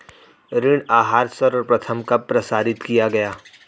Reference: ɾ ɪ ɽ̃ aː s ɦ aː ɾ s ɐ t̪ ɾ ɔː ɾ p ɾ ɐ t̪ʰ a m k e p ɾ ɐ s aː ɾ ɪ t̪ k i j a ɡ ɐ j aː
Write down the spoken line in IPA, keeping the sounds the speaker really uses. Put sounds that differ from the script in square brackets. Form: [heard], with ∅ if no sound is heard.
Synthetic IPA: ɾ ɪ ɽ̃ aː [∅] ɦ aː ɾ s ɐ [∅] ɾ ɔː ɾ p ɾ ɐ t̪ʰ [ə] m k [a] p ɾ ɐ s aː ɾ ɪ t̪ k i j a ɡ ɐ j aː

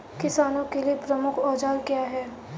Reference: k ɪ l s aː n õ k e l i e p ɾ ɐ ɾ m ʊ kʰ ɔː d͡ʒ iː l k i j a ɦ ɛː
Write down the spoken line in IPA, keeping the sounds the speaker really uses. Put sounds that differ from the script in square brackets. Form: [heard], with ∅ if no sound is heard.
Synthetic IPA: k ɪ [∅] s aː n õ k e l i e p ɾ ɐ [∅] m ʊ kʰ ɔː d͡ʒ [aː] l k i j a ɦ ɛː

